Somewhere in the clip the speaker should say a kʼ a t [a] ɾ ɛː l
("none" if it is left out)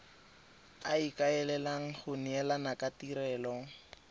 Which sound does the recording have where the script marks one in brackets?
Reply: i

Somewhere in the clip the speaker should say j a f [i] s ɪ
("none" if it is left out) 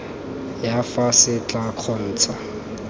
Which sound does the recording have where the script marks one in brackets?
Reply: a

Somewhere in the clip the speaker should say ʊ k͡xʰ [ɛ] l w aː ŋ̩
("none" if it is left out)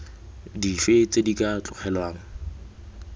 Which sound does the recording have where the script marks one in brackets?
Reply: ɛ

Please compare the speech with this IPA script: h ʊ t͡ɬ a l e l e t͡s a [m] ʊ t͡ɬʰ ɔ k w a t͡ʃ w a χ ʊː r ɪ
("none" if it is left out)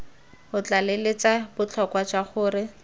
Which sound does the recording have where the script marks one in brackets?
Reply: b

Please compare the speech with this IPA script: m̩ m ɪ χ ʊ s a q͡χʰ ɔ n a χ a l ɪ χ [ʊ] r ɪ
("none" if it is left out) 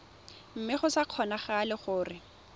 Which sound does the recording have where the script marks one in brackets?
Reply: ʊː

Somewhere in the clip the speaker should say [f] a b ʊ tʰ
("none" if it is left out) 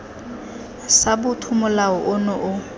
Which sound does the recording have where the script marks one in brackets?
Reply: s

